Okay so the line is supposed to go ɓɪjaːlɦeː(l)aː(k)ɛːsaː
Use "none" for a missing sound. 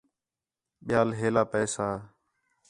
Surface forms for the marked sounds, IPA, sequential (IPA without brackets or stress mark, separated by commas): l, p